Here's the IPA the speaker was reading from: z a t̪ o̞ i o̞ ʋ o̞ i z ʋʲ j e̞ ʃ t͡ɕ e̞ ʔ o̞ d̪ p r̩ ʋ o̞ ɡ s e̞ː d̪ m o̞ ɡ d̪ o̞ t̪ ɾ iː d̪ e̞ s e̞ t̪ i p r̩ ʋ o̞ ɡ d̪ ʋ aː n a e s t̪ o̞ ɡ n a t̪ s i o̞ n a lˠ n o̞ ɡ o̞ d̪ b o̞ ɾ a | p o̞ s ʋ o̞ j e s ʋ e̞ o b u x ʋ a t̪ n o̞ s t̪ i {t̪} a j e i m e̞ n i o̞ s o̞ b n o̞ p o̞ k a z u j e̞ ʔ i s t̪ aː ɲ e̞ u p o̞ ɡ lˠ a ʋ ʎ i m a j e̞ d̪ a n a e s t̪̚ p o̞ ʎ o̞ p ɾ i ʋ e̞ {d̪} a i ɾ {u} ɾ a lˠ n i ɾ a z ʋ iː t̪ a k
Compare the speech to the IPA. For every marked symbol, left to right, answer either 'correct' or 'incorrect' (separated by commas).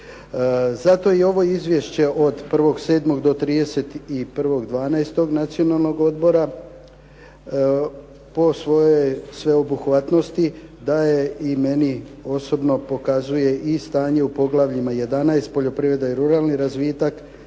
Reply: incorrect, correct, correct